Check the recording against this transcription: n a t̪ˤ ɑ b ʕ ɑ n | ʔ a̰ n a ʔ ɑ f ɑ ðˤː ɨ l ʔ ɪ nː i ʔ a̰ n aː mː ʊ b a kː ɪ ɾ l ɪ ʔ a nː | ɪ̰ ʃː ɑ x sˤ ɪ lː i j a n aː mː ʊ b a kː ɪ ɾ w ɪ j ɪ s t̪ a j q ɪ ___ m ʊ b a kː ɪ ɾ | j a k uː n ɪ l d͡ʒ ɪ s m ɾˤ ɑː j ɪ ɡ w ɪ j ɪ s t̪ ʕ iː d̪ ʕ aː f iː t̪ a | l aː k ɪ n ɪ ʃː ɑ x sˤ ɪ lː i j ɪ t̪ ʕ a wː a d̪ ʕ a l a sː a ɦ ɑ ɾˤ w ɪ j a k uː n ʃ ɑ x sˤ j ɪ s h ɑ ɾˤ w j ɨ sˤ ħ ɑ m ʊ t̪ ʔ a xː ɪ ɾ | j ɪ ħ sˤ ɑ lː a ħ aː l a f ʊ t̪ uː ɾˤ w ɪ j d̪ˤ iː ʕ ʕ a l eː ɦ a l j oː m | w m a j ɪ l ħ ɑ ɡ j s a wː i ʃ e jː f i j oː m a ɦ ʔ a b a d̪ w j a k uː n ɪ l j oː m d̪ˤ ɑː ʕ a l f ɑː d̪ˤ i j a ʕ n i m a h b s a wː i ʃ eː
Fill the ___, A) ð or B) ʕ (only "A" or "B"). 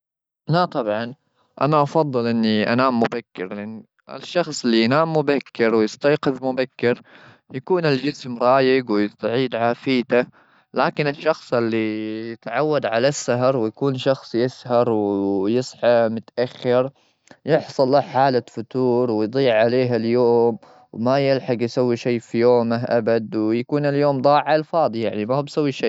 A